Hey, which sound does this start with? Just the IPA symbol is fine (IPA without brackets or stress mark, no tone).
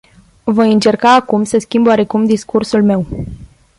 v